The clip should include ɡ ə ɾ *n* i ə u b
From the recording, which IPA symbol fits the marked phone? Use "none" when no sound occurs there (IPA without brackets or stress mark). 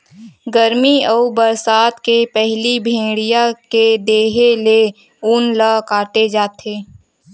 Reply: m